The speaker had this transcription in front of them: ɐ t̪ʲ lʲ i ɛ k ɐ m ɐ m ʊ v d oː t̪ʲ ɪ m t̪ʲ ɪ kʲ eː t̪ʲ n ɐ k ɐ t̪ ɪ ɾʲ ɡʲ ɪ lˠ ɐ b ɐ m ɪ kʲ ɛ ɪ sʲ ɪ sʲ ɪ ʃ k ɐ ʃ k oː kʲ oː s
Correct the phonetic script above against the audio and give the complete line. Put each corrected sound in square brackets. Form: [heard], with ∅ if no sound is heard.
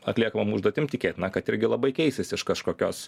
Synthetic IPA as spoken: ɐ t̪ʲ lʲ i ɛ k ɐ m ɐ m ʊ [ʒ] d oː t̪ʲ ɪ m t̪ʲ ɪ kʲ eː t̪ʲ n ɐ k ɐ t̪ ɪ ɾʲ ɡʲ ɪ lˠ ɐ b ɐ [∅] ɪ kʲ ɛ ɪ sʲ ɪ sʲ ɪ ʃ k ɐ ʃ k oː kʲ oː s

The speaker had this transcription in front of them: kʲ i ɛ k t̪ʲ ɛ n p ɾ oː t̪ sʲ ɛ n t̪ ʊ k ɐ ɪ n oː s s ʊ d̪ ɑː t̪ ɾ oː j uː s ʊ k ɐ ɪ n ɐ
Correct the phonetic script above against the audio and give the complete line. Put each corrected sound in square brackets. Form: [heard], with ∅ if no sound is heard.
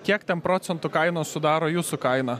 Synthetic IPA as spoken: kʲ i ɛ k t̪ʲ ɛ n p ɾ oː t̪ sʲ ɛ n t̪ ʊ k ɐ ɪ n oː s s ʊ d̪ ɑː [∅] ɾ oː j uː s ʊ k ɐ ɪ n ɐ

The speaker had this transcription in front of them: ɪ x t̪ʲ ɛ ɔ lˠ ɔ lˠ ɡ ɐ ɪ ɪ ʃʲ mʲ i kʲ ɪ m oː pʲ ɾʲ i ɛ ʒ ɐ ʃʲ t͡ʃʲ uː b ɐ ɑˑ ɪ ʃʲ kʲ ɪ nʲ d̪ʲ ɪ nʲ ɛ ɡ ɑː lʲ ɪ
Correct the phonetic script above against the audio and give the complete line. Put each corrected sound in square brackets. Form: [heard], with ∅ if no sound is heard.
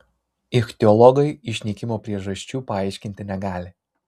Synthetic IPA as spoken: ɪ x t̪ʲ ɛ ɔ lˠ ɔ [∅] ɡ ɐ ɪ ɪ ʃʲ [nʲ] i kʲ ɪ m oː pʲ ɾʲ i ɛ ʒ ɐ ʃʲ t͡ʃʲ uː [p] ɐ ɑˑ ɪ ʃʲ kʲ ɪ nʲ [t̪ʲ] ɪ nʲ ɛ ɡ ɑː lʲ ɪ

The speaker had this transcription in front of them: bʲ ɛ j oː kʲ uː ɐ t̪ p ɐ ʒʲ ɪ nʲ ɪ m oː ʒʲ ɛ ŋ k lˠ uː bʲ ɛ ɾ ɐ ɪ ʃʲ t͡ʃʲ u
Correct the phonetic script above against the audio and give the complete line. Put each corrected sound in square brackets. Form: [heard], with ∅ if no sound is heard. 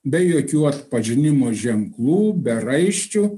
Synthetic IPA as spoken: bʲ ɛ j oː kʲ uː ɐ t̪ p ɐ ʒʲ ɪ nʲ ɪ m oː ʒʲ ɛ ŋ k lˠ uː bʲ ɛ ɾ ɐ ɪ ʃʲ t͡ʃʲ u

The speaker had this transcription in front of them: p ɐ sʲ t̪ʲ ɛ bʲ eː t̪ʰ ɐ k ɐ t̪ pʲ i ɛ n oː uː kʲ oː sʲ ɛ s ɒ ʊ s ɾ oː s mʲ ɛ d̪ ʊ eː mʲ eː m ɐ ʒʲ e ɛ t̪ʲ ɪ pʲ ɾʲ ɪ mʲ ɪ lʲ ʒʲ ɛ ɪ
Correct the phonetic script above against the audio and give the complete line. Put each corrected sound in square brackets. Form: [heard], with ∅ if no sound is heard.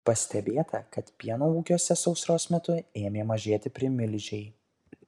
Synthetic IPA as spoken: p ɐ sʲ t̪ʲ ɛ bʲ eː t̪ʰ ɐ k ɐ t̪ pʲ i ɛ n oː uː kʲ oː sʲ ɛ s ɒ ʊ s ɾ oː s mʲ ɛ [t̪] ʊ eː mʲ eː m ɐ ʒʲ e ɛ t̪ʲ ɪ pʲ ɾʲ ɪ mʲ ɪ lʲ ʒʲ ɛ ɪ

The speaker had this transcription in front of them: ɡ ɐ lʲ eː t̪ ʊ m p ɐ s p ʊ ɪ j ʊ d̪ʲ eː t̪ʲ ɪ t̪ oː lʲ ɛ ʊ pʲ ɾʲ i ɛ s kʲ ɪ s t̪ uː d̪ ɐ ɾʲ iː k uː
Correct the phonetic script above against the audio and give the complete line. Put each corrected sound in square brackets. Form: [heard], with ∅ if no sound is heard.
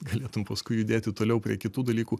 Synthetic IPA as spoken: ɡ ɐ lʲ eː t̪ ʊ m p ɐ s [k] ʊ ɪ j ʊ d̪ʲ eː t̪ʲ ɪ t̪ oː lʲ ɛ ʊ pʲ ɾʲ i ɛ [∅] kʲ ɪ [∅] t̪ uː d̪ ɐ [lʲ] iː k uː

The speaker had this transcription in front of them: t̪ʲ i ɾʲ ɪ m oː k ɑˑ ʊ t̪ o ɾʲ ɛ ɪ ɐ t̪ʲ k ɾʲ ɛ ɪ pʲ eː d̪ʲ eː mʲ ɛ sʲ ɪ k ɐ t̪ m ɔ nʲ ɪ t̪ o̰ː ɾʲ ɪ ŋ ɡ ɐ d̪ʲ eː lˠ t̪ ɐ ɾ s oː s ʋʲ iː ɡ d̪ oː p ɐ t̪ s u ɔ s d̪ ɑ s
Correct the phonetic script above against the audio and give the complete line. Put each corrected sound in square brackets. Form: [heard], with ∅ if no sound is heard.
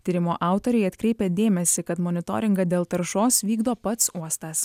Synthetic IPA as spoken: t̪ʲ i ɾʲ ɪ m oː [ʔ] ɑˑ ʊ t̪ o ɾʲ ɛ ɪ ɐ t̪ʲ k ɾʲ ɛ ɪ pʲ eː d̪ʲ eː mʲ ɛ sʲ ɪ k ɐ t̪ m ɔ nʲ ɪ t̪ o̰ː ɾʲ ɪ ŋ ɡ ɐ d̪ʲ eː lˠ t̪ ɐ ɾ [ʃ] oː s ʋʲ iː ɡ d̪ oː p ɐ t̪ s u ɔ s [t̪] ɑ s

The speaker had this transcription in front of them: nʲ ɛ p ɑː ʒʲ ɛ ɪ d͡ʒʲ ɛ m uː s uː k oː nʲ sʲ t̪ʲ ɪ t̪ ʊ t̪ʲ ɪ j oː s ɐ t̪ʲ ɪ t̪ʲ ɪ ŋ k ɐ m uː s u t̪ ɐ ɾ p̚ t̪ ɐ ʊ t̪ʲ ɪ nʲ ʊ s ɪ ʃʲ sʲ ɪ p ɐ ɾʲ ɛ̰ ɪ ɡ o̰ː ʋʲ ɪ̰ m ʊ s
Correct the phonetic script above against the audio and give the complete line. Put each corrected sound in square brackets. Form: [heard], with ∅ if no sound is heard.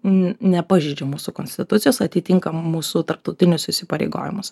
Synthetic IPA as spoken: nʲ ɛ p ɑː ʒʲ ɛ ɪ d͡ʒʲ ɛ m uː s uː k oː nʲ sʲ t̪ʲ ɪ t̪ ʊ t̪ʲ ɪ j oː s ɐ t̪ʲ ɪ t̪ʲ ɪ ŋ k ɐ m uː s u t̪ ɐ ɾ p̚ t̪ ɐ ʊ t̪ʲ ɪ nʲ ʊ s ɪ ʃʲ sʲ ɪ p ɐ ɾʲ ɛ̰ ɪ ɡ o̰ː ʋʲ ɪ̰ m ʊ s

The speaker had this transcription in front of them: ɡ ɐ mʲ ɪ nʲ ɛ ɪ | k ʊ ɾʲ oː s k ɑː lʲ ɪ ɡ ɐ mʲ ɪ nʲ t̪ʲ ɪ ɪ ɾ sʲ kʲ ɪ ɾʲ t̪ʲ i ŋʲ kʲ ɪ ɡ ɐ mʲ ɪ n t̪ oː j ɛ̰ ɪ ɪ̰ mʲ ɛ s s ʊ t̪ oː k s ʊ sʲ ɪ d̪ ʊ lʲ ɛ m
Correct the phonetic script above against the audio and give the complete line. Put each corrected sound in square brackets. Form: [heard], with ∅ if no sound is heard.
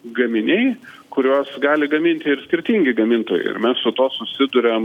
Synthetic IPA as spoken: ɡ ɐ mʲ ɪ nʲ ɛ ɪ | k ʊ ɾʲ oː s [ɡ] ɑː lʲ ɪ ɡ ɐ mʲ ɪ nʲ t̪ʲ ɪ ɪ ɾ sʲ kʲ ɪ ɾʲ t̪ʲ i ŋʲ [ɡʲ] ɪ ɡ ɐ mʲ ɪ n t̪ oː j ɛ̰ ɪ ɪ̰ mʲ ɛ s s ʊ t̪ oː [∅] s ʊ sʲ ɪ d̪ ʊ [ɾʲ] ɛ m

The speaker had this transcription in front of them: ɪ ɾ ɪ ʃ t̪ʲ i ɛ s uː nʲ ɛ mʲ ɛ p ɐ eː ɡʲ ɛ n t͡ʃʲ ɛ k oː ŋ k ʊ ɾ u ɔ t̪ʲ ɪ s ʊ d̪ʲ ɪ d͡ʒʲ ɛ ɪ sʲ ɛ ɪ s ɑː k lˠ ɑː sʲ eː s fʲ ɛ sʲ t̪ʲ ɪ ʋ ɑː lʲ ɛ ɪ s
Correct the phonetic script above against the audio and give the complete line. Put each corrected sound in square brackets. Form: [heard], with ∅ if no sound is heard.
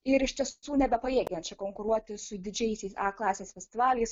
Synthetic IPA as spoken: ɪ ɾ ɪ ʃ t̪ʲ i ɛ s uː nʲ ɛ [bʲ] ɛ p ɐ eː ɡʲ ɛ n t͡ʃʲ ɛ k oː ŋ k ʊ ɾ u ɔ t̪ʲ ɪ s ʊ d̪ʲ ɪ d͡ʒʲ ɛ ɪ sʲ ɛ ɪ s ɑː k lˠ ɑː sʲ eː s fʲ ɛ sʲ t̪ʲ ɪ ʋ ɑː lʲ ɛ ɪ s

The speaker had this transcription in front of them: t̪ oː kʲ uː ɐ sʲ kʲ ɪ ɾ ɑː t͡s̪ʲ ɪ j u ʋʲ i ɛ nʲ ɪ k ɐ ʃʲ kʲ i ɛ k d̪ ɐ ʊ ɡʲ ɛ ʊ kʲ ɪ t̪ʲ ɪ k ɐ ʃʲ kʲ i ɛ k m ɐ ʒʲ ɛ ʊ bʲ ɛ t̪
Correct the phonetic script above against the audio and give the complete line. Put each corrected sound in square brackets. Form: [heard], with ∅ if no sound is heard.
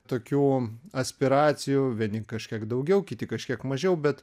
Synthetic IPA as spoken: t̪ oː kʲ uː ɐ sʲ [pʲ] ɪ ɾ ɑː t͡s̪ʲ ɪ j u ʋʲ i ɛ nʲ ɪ k ɐ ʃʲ kʲ i ɛ k d̪ ɐ ʊ ɡʲ ɛ ʊ kʲ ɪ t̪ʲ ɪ k ɐ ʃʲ kʲ i ɛ k m ɐ ʒʲ ɛ ʊ bʲ ɛ t̪

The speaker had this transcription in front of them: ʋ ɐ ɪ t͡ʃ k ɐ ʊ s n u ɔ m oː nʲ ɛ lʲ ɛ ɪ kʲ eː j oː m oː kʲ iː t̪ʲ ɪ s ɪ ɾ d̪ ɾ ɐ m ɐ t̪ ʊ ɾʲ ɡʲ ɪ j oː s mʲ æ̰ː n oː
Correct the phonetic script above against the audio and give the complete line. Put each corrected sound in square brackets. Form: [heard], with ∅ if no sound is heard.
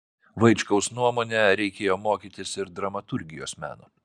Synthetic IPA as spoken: ʋ ɐ ɪ t͡ʃ k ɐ ʊ s n u ɔ m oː nʲ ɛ [ɾʲ] ɛ ɪ kʲ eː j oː m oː kʲ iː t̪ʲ ɪ s ɪ ɾ d̪ ɾ ɐ m ɐ t̪ ʊ ɾʲ ɡʲ ɪ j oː s mʲ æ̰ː n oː

